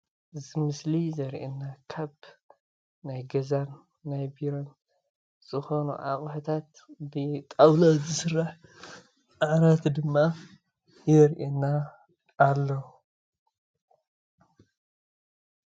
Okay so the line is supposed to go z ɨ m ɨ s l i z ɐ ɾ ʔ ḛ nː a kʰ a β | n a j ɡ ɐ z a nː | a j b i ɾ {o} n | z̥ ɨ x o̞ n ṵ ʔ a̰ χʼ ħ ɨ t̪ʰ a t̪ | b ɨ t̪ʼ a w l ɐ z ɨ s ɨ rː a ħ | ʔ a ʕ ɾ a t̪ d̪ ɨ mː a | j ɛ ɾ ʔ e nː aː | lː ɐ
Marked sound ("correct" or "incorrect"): correct